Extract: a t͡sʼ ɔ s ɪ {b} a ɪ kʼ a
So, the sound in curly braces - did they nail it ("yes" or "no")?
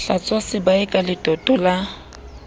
yes